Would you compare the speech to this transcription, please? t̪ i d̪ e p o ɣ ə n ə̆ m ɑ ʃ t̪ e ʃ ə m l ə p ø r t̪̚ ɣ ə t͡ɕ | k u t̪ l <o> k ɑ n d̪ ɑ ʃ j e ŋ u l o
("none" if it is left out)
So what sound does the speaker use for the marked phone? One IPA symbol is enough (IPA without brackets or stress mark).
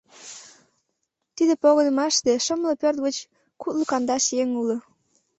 u